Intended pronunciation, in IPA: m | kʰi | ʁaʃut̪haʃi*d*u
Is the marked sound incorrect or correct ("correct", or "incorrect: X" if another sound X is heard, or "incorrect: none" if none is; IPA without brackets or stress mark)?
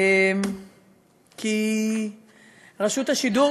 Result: correct